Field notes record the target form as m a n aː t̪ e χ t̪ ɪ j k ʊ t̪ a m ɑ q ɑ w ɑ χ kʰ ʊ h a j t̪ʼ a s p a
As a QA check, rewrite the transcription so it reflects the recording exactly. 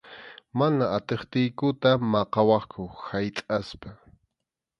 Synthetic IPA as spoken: m a n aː t̪ e χ t̪ ɪ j k ʊ t̪ a m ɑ q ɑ w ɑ χ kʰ ʊ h a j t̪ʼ a s p a